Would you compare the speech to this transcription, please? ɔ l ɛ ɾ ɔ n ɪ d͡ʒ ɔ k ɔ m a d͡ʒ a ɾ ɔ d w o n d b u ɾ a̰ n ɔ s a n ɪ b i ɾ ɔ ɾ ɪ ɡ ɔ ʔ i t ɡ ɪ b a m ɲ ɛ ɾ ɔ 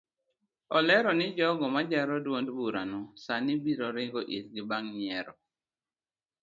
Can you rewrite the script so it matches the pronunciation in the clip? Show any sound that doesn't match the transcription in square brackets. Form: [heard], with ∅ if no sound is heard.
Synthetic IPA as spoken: ɔ l ɛ ɾ ɔ n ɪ d͡ʒ ɔ [ɡ] ɔ m a d͡ʒ a ɾ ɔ d w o n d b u ɾ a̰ n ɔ s a n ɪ b i ɾ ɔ ɾ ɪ ɡ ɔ ʔ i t ɡ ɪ b a [ŋ] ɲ ɛ ɾ ɔ